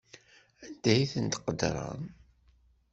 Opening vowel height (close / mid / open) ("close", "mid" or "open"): open